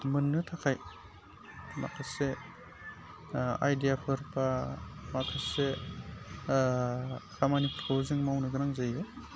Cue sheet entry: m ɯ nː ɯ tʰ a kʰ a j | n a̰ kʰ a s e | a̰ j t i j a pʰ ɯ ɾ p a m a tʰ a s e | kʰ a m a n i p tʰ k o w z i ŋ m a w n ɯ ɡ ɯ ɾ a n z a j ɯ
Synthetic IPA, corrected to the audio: m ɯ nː ɯ tʰ a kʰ a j | m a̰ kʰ a s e | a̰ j d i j a pʰ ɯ ɾ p a m a kʰ a s e | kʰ a m a n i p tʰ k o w z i ŋ m a w n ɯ ɡ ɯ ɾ a ŋ z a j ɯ

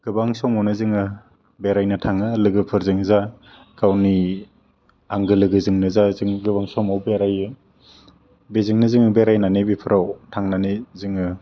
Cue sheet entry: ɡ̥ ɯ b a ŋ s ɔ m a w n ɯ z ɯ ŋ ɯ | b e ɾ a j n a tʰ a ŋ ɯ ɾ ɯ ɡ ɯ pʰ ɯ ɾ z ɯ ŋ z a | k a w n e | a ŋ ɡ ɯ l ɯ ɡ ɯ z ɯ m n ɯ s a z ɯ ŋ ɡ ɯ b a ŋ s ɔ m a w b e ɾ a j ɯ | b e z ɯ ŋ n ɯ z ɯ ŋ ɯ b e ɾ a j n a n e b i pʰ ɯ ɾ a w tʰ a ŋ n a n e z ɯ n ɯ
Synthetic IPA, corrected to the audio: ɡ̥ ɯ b a ŋ s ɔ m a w n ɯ z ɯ ŋ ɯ | b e ɾ a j n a tʰ a ŋ ɯ l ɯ ɡ ɯ pʰ ɯ ɾ z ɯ ŋ z a | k a w n i | a ŋ ɡ ɯ l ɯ ɡ ɯ z ɯ ŋ n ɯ z a z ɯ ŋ ɡ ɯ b a ŋ s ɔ m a w b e ɾ a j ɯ | b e z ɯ ŋ n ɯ z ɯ ŋ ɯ b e ɾ a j n a n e b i pʰ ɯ ɾ a w tʰ a ŋ n a n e z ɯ ŋ ɯ

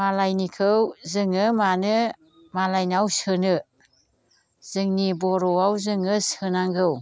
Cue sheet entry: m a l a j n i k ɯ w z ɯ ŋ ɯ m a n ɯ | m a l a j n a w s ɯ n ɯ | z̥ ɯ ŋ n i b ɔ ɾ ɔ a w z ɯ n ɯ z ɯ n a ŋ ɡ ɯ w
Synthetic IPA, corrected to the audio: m a l a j n i kʰ ɯ w z ɯ ŋ ɯ m a n ɯ | m a l a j n a w s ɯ n ɯ | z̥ ɯ ŋ n i b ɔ ɾ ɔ a w z ɯ ŋ ɯ s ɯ n a ŋ ɡ ɯ w

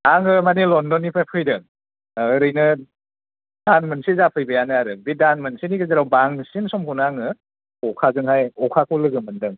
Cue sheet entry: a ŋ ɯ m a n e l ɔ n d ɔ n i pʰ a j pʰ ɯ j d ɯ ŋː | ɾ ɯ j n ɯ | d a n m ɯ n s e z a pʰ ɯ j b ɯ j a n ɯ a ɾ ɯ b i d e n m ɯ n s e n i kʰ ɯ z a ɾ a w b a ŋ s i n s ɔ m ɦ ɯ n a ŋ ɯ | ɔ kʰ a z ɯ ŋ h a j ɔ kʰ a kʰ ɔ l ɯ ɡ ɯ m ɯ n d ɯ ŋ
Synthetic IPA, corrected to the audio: a ŋ ɯ m a n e l ɔ n d ɔ n i pʰ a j pʰ ɯ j d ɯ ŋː | ɾ ɯ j n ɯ | d a n m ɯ n s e z a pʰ ɯ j b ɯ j a n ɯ a ɾ ɯ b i d a n m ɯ n s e n i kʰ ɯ z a ɾ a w b a ŋ s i n s ɔ m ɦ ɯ n a ŋ ɯ | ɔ kʰ a z ɯ ŋ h a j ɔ kʰ a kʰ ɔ l ɯ ɡ ɯ m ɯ n d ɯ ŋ

